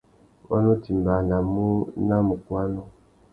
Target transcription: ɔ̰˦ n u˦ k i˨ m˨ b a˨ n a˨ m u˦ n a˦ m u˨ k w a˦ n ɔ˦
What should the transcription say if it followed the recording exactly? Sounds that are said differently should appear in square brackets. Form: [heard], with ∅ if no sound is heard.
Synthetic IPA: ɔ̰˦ n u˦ [t] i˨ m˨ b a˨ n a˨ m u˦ n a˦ m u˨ k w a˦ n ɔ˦

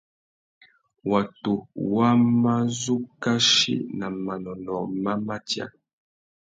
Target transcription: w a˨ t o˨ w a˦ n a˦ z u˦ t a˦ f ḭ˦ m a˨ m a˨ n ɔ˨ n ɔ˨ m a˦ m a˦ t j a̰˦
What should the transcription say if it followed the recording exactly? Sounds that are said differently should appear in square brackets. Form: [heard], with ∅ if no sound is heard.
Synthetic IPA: w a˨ t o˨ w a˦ [m] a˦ z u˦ [k] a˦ [ʃ] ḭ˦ [n] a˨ m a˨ n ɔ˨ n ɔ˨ m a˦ m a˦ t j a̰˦

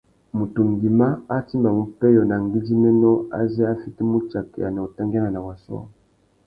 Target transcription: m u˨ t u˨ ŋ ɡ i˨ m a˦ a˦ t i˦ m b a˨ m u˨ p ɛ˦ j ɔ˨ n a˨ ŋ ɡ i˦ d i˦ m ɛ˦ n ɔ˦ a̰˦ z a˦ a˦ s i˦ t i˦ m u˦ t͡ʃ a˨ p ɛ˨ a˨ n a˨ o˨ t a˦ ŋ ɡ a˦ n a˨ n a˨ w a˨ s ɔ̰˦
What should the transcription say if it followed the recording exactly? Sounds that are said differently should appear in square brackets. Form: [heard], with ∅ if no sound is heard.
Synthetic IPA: m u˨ t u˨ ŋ ɡ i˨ m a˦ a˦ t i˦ m b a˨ m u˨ p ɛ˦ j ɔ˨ n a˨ ŋ ɡ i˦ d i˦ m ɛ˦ n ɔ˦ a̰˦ z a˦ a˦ [f] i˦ t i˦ m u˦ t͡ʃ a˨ [k] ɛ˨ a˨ n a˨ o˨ t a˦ ŋ ɡ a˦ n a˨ n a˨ w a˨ s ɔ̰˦

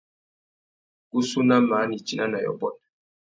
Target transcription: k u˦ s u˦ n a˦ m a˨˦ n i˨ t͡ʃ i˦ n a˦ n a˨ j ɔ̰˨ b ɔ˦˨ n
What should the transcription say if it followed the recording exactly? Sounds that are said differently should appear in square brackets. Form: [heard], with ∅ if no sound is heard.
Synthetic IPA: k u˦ s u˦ n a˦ m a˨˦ n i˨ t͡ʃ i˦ n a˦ n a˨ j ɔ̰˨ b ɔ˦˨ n

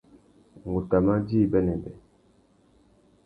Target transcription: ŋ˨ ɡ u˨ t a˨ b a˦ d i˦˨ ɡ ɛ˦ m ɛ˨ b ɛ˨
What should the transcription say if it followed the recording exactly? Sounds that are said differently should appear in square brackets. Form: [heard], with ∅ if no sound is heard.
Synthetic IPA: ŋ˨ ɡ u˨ t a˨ [m] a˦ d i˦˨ [b] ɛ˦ [n] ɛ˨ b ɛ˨

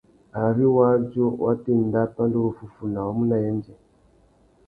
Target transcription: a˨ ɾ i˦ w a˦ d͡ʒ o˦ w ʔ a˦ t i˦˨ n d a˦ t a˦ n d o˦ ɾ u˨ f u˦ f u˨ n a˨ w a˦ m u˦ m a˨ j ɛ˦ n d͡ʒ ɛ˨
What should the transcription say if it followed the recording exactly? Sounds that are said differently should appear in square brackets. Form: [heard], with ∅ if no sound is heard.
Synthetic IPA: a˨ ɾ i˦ w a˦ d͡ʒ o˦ w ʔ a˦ t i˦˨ n d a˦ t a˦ n d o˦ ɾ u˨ f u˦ f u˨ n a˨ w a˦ m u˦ [n] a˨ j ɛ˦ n d͡ʒ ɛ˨

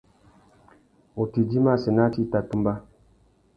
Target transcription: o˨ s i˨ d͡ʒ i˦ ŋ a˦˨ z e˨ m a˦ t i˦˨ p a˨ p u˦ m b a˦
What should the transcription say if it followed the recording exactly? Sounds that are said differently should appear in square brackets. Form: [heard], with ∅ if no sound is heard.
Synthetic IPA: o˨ [t] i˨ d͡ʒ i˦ [m] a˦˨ [s] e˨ [n] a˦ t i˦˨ [t] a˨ [t] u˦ m b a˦

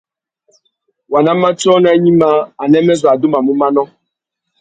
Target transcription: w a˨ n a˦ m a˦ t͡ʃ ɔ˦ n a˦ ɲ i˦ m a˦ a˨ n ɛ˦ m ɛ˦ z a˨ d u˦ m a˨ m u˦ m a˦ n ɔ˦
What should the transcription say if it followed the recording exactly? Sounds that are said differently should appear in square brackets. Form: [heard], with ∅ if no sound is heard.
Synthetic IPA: w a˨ n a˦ m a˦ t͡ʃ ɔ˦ n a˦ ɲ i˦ m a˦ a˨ n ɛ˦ m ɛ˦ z a˨ d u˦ m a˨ m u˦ m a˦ n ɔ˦

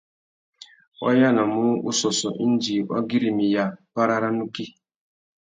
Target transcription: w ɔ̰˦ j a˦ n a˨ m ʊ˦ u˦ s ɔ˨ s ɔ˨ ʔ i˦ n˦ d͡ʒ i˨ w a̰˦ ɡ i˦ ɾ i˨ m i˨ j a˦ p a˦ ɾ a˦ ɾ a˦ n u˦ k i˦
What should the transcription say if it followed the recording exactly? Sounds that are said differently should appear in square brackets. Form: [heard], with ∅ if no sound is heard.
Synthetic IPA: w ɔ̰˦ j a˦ n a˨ m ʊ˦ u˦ s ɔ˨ s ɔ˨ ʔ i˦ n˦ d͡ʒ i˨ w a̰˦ ɡ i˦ ɾ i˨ m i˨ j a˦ p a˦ ɾ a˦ ɾ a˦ n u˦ k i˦

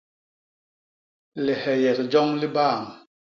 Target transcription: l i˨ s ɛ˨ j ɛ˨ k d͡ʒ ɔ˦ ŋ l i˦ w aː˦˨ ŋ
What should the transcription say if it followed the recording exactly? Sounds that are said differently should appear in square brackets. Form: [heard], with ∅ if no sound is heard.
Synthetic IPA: l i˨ [h] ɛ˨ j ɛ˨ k d͡ʒ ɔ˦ ŋ l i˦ [b] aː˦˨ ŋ

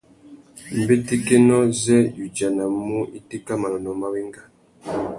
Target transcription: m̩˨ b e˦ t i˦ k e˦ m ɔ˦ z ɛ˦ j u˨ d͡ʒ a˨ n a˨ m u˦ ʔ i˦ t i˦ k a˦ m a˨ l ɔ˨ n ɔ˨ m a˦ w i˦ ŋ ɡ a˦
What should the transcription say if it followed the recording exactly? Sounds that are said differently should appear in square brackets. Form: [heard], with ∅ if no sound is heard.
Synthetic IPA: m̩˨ b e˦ t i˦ k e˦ [n] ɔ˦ z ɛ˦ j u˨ d͡ʒ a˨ n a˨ m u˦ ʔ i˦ t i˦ k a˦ m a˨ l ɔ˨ n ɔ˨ m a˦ w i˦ ŋ ɡ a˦

